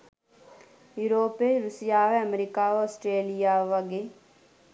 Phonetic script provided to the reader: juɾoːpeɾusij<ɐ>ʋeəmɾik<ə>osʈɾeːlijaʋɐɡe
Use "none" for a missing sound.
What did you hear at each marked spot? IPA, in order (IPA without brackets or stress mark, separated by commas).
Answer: a, a